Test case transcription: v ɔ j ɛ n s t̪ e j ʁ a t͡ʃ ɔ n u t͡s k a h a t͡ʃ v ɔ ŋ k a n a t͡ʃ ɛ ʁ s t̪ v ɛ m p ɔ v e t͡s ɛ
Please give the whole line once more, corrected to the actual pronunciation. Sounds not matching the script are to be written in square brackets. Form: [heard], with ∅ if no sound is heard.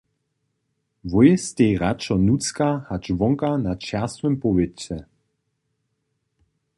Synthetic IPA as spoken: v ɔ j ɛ [∅] s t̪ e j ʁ a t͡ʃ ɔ n u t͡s k a h a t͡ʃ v ɔ ŋ k a n a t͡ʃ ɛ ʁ s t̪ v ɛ m p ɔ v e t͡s ɛ